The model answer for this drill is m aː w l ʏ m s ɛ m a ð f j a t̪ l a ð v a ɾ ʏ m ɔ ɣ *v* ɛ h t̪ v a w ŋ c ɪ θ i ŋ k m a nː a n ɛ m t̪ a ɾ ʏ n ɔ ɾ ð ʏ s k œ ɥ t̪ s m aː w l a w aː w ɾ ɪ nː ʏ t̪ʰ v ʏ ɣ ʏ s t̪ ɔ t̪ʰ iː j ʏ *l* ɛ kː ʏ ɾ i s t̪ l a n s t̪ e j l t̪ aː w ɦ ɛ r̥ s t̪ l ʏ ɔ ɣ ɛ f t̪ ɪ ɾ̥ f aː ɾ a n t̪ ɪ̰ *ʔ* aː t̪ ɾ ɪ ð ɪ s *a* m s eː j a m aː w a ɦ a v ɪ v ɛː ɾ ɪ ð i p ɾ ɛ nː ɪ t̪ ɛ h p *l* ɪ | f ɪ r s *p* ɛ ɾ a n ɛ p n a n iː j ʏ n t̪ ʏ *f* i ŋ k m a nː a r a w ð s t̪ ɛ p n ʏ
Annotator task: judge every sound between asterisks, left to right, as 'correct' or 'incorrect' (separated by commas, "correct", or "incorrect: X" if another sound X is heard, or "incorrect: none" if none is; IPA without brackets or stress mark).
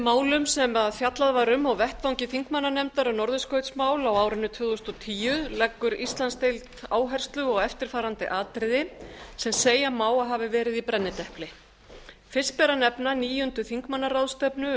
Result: correct, correct, correct, incorrect: ɛ, correct, correct, incorrect: θ